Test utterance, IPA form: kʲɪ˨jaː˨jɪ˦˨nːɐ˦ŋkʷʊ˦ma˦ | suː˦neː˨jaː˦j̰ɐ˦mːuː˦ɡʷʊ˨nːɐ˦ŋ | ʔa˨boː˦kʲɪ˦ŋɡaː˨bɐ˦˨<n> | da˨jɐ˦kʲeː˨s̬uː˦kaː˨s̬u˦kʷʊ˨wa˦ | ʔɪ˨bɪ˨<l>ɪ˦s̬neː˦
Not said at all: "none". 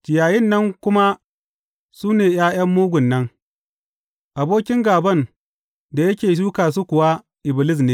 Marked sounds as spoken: n, l

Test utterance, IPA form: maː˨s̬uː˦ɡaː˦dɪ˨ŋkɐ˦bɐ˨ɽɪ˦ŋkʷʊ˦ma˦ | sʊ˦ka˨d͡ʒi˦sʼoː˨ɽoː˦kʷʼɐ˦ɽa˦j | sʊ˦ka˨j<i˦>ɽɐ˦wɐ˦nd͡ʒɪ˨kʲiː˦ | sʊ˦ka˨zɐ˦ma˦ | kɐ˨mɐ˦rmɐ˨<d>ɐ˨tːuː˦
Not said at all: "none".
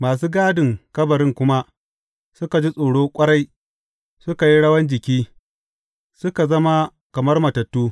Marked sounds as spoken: i˦, t

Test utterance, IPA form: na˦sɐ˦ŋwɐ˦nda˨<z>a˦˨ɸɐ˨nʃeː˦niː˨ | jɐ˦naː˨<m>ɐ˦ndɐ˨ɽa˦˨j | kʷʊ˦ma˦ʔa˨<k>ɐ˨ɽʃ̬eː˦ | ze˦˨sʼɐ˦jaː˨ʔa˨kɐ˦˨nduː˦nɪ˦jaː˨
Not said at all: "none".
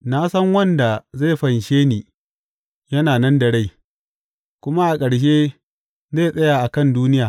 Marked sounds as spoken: z, n, kʼ

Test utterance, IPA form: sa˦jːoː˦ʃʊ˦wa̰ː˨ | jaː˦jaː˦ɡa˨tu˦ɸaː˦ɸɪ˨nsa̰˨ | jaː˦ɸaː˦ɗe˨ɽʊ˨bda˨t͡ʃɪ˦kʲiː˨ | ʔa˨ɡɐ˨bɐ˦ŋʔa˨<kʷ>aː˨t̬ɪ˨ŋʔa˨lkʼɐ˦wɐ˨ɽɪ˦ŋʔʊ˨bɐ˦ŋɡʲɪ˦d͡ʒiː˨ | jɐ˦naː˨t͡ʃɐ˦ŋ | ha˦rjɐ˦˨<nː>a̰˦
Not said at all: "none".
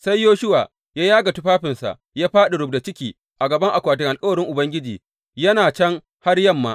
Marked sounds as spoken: kʷ, mː

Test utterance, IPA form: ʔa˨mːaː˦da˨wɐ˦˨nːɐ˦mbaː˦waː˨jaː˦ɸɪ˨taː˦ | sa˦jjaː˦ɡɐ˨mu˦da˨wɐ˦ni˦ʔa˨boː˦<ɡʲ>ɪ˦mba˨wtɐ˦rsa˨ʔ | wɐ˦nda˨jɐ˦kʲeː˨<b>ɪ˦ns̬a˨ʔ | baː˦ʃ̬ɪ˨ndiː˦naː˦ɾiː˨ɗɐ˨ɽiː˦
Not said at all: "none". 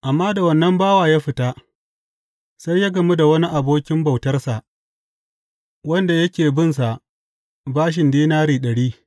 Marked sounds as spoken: kʲ, b

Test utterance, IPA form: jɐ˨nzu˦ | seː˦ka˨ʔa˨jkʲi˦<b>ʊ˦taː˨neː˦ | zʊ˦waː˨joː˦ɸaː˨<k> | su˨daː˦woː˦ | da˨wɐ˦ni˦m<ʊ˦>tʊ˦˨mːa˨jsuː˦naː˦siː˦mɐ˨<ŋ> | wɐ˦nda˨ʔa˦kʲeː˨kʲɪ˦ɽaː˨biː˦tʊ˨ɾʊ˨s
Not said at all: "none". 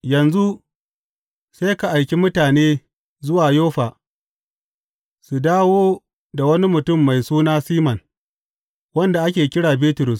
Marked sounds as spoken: m, none, ʊ˨, n

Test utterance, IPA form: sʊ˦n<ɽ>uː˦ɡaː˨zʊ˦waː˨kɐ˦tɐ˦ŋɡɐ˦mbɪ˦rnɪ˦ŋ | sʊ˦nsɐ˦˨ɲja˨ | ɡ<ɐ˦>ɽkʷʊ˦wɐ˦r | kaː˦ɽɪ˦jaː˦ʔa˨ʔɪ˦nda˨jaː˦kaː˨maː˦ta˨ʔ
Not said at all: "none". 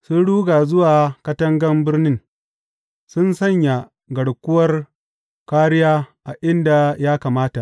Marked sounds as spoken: ɽ, ɐ˨

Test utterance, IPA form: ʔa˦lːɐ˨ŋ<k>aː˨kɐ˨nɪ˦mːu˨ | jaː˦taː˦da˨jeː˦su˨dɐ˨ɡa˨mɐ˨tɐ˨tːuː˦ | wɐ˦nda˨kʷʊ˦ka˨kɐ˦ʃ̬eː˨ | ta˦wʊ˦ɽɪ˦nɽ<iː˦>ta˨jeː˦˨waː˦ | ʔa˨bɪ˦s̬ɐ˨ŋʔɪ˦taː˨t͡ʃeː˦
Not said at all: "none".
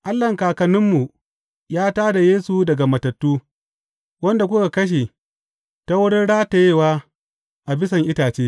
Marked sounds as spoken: k, aː˦

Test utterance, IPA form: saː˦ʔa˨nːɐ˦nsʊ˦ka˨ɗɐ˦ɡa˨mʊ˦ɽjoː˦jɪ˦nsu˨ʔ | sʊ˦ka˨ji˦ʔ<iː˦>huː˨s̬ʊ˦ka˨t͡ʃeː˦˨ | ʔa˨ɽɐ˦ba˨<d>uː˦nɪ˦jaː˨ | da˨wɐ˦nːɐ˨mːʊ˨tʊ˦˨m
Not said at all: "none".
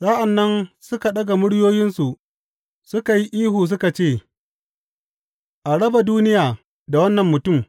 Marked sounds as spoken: iː˦, d

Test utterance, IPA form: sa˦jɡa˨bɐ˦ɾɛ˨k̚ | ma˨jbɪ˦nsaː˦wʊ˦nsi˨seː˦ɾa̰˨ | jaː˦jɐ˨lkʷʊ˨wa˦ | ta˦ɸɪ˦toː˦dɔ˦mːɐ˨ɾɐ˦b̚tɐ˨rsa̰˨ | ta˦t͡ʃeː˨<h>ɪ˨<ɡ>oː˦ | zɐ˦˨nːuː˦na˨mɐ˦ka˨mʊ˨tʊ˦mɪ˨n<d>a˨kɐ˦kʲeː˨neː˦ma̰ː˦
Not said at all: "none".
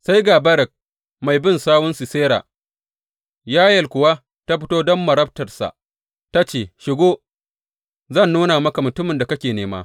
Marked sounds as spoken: ʃ, ɡ, d

